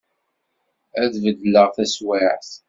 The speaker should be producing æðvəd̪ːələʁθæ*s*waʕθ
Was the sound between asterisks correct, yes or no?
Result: yes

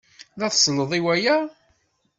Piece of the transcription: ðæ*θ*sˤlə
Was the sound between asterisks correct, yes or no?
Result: yes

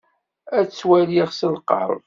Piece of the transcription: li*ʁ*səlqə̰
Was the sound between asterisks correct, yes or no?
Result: yes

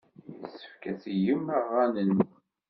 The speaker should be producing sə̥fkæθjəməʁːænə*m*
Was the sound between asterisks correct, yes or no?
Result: no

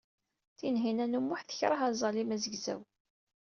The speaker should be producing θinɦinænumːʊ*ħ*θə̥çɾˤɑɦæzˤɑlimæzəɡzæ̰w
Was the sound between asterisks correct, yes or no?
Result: yes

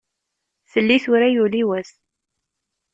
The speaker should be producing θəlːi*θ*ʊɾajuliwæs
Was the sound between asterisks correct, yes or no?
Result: yes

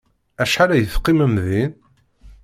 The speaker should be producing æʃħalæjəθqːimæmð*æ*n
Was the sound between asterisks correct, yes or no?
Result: no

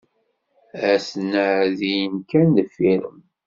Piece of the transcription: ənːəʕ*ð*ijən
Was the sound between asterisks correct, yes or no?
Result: yes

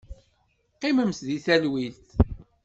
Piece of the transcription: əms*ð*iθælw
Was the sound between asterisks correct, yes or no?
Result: yes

